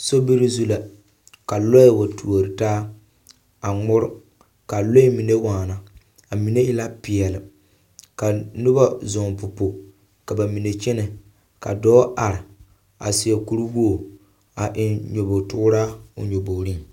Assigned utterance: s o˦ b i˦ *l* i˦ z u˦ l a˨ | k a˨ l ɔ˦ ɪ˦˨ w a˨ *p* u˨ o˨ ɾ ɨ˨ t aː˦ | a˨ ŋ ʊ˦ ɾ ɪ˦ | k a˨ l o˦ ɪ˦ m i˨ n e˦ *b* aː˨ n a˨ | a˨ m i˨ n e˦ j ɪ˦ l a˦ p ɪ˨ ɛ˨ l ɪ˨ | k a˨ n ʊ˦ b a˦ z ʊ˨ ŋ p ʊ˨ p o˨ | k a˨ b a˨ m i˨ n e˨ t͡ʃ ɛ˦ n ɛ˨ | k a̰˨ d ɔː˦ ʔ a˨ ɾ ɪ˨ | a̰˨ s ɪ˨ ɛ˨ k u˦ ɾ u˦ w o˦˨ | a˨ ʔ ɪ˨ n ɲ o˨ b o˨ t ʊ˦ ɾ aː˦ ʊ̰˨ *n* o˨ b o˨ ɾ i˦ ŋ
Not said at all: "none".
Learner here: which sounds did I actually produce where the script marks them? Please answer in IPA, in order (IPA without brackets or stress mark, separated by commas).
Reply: ɾ, t, w, ɲ